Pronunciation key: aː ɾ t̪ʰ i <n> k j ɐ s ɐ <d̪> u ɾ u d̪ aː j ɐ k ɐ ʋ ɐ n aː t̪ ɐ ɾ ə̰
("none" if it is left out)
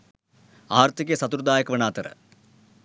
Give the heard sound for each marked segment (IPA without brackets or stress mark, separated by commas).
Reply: none, t̪